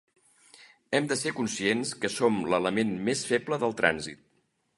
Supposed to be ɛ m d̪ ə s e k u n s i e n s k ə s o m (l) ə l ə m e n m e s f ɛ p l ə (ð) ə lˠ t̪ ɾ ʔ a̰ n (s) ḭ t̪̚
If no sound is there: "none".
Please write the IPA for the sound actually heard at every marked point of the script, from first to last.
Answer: l, ð, z

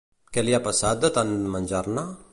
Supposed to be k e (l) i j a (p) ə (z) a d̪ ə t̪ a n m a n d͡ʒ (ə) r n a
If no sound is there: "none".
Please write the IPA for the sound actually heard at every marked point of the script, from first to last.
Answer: l, p, s, a

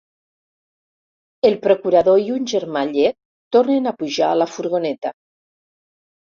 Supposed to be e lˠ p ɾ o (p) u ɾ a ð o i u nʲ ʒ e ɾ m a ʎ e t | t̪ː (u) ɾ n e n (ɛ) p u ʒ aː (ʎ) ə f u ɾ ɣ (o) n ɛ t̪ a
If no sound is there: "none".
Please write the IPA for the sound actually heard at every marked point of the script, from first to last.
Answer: k, o, a, l, o

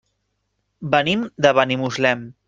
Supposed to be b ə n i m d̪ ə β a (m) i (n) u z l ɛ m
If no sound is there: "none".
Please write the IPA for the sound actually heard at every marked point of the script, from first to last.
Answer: n, m

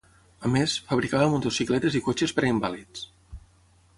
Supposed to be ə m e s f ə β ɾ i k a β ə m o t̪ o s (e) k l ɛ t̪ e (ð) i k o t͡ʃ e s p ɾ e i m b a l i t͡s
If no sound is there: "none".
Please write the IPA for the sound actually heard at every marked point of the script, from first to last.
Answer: i, z

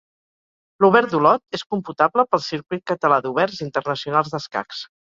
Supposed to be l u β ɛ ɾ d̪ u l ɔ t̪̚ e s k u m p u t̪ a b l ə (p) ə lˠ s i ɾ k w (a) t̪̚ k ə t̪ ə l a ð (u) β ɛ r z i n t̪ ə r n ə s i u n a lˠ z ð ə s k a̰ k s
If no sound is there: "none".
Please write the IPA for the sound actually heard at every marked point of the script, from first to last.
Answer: p, i, u

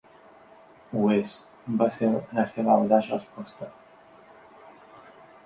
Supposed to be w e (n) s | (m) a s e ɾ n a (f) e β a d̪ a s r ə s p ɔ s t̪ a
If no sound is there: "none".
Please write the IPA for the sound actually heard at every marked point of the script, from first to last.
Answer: none, b, s

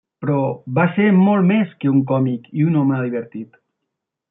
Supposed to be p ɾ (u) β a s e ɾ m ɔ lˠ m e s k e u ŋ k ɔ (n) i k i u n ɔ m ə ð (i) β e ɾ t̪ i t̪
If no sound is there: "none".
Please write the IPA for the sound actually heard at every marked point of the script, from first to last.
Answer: ɔ, m, i

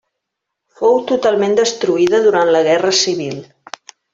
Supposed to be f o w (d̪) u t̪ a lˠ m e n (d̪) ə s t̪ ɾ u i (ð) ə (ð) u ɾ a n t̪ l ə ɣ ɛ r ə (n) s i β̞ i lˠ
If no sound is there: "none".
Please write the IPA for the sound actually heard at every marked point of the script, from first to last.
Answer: t̪, d̪, ð, ð, none

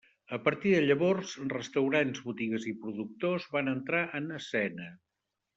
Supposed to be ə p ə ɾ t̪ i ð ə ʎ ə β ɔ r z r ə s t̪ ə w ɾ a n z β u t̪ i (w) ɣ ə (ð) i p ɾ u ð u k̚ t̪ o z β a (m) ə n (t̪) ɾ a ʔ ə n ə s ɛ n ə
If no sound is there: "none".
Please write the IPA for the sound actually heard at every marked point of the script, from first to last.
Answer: none, z, n, t̪

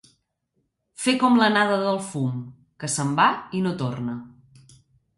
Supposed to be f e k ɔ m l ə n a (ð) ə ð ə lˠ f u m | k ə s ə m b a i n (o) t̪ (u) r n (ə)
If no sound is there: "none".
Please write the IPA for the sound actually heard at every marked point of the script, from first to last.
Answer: ð, o, o, ə

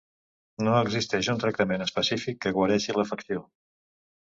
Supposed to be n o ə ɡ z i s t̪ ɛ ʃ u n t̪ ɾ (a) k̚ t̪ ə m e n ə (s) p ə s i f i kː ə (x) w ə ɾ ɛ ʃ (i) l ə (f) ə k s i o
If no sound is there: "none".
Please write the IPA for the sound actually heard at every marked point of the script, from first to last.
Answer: ə, s, ɣ, i, f

